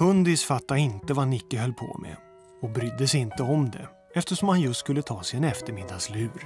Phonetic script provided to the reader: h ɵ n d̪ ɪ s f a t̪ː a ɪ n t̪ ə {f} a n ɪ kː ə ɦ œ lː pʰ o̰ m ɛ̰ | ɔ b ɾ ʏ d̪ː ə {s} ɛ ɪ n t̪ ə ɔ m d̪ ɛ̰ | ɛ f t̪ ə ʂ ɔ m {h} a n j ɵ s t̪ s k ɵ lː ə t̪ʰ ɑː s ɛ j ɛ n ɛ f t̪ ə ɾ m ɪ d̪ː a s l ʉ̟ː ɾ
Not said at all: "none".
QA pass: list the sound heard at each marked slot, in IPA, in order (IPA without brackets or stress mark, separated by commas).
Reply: v, s, h